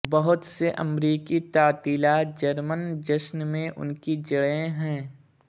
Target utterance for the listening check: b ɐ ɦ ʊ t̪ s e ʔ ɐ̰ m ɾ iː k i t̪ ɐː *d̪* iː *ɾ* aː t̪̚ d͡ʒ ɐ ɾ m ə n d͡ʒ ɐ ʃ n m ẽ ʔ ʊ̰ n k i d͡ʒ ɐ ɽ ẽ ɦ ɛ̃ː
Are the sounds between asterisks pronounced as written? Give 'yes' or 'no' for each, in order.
no, no

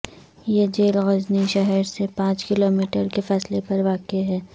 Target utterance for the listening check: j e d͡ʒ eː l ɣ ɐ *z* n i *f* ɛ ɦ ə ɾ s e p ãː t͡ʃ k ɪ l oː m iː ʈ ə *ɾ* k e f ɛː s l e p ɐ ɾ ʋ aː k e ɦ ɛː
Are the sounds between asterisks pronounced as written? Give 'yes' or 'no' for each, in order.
yes, no, yes

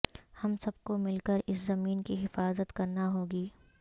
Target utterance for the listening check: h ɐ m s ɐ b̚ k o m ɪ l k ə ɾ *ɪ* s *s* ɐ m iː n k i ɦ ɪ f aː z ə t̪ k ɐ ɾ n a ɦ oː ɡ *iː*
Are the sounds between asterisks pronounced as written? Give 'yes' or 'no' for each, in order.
yes, no, yes

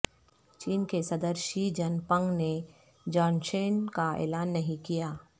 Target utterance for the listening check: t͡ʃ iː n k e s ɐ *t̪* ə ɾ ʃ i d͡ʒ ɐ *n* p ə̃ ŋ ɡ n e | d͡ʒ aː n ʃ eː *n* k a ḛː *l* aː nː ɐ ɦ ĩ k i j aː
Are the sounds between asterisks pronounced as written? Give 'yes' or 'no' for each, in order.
no, yes, yes, yes

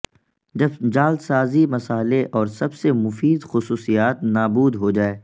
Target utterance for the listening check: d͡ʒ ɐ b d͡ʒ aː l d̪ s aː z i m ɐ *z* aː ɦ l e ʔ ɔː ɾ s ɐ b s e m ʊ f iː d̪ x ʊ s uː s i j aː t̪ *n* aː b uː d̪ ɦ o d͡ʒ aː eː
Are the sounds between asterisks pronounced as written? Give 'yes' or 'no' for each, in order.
no, yes

